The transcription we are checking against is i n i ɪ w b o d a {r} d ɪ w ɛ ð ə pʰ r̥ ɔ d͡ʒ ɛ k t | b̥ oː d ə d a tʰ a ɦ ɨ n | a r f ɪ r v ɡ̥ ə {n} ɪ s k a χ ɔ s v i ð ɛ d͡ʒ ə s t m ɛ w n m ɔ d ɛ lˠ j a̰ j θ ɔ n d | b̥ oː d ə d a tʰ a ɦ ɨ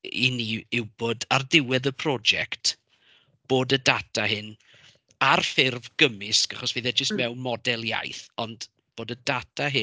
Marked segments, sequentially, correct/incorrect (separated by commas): correct, incorrect